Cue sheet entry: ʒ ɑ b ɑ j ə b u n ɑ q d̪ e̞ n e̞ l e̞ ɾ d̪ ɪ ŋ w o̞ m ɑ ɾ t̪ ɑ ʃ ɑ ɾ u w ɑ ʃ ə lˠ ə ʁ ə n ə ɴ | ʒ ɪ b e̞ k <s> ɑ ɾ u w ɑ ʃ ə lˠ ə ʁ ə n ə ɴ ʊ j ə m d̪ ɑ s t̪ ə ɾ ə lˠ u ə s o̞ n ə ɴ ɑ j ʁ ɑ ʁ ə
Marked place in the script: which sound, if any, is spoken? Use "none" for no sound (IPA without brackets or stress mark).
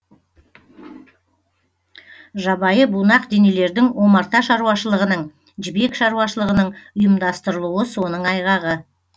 ʃ